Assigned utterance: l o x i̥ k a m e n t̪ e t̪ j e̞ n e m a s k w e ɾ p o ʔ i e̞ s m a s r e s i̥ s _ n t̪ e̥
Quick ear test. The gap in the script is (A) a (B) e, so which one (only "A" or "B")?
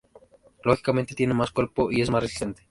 B